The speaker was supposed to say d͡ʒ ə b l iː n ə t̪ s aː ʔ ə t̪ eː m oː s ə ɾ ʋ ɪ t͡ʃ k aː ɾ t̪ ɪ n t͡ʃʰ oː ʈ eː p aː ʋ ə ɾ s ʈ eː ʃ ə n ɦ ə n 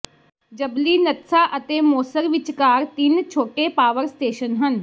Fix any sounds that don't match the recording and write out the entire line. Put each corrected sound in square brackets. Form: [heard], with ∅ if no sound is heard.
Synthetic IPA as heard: d͡ʒ ə b l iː n ə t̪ s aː ʔ ə t̪ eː m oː s ə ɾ ʋ ɪ t͡ʃ k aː ɾ t̪ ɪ n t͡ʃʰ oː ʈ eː p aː ʋ ə ɾ s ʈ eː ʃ ə n ɦ ə n